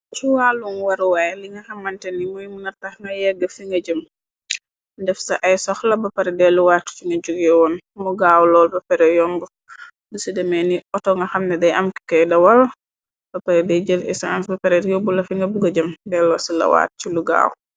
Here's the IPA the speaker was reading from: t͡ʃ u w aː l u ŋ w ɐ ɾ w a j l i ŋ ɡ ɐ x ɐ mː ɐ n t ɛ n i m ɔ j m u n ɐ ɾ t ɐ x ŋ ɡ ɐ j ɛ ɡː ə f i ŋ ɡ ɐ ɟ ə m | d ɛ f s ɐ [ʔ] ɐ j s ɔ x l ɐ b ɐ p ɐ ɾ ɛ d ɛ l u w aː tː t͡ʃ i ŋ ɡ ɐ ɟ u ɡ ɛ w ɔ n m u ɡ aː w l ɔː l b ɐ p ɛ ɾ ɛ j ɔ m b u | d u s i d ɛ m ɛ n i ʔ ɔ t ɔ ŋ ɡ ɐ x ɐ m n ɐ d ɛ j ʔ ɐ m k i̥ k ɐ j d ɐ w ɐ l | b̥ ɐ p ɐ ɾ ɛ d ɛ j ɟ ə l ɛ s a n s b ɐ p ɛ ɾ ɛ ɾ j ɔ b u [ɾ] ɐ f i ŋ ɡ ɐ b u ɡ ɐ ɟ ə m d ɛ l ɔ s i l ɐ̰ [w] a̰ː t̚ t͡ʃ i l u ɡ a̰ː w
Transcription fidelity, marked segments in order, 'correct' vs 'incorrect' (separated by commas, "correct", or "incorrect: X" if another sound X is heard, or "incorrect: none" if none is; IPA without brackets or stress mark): correct, incorrect: l, correct